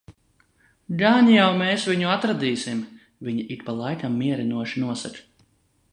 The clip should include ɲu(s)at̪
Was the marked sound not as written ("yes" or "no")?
yes